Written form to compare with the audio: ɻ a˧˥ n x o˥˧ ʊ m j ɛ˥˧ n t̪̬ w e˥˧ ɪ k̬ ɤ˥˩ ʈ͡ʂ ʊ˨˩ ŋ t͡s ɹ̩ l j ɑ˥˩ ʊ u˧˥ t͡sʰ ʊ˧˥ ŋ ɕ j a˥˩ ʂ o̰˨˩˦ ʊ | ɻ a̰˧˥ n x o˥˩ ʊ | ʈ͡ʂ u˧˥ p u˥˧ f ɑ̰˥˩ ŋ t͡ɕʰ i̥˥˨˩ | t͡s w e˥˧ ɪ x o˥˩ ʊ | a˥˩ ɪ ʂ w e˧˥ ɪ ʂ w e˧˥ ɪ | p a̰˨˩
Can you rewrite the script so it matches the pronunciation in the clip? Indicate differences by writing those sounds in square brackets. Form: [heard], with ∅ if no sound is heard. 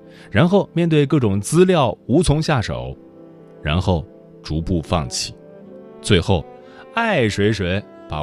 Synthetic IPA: ɻ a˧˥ n x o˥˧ ʊ m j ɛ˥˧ n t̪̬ w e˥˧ ɪ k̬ ɤ˥˩ ʈ͡ʂ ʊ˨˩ ŋ t͡s ɹ̩ l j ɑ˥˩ ʊ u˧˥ t͡sʰ ʊ˧˥ ŋ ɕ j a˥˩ ʂ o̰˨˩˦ ʊ | ɻ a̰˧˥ n x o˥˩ ʊ | ʈ͡ʂ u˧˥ p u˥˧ f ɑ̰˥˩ ŋ t͡ɕʰ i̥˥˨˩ | t͡s w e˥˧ ɪ x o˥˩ ʊ | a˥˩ ɪ ʂ w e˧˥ ɪ ʂ w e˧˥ ɪ | p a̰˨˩